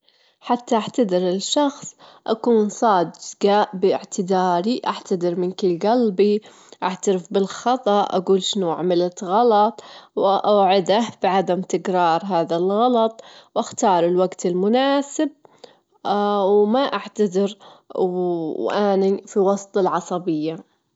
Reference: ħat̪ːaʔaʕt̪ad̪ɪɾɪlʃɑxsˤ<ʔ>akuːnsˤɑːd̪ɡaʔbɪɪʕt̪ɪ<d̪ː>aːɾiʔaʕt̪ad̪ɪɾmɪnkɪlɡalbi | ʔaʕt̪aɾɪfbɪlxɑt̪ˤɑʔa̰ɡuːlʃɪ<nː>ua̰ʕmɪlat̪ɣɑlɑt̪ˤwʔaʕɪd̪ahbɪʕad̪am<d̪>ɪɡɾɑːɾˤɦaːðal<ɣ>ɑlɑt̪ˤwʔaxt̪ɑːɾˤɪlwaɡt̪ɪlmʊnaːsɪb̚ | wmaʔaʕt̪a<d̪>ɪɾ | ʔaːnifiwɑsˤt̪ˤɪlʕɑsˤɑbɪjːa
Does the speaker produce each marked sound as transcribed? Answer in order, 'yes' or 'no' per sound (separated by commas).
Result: yes, no, no, no, yes, yes